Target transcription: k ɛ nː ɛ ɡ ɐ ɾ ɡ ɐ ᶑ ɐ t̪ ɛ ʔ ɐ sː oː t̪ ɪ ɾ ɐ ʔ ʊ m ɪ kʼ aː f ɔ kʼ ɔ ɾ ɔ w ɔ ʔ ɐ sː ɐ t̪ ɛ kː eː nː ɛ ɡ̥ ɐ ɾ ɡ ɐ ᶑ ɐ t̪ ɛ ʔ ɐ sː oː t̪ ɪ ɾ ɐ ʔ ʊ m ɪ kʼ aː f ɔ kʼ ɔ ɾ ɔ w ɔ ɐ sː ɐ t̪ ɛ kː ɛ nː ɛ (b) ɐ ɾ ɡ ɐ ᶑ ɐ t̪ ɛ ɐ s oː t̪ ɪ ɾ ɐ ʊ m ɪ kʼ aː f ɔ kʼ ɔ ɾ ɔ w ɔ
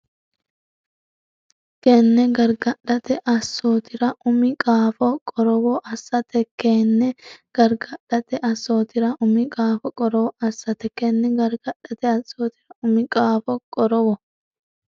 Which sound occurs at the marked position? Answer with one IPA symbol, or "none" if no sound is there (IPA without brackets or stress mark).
ɡ